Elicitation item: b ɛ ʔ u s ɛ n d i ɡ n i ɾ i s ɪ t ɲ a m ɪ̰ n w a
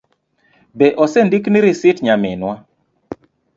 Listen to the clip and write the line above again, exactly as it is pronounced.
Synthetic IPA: b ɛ ʔ ɔ s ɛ n d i k n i ɾ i s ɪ t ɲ a m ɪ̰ n w a